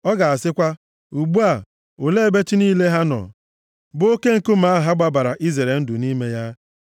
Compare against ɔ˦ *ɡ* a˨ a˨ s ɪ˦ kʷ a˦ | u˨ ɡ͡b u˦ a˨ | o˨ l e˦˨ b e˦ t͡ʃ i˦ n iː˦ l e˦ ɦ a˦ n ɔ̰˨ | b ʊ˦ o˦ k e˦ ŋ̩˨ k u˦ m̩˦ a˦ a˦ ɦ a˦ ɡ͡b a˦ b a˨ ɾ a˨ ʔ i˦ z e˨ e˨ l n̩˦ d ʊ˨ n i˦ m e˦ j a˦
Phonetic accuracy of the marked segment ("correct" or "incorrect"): correct